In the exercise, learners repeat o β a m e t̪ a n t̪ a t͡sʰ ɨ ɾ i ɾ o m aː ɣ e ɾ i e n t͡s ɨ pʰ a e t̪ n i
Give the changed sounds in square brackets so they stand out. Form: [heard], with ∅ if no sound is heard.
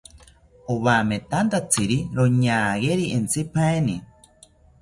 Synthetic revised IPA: o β a m e t̪ a n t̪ a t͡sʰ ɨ ɾ i ɾ o [ɲ] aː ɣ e ɾ i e n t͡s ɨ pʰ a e [∅] n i